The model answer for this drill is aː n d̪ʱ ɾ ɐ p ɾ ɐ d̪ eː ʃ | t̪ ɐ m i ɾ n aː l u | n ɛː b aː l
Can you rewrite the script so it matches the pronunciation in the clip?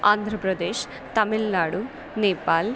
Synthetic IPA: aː n d̪ʱ ɾ ɐ p ɾ ɐ d̪ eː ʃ | t̪ ɐ m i l n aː ɽ u | n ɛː p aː l